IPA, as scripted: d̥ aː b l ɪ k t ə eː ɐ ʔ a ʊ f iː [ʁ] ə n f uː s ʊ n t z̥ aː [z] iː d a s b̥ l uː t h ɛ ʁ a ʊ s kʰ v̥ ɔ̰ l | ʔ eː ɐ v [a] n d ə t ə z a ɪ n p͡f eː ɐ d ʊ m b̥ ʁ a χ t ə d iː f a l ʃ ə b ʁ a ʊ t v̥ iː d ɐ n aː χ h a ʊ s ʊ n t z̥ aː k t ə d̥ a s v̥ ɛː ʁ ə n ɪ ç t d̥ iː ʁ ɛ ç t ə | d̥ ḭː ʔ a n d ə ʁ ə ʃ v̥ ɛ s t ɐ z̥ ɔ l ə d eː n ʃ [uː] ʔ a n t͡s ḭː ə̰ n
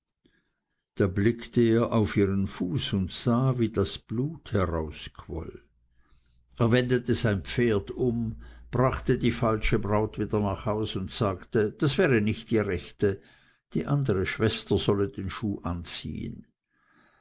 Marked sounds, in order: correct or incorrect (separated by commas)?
correct, incorrect, incorrect, correct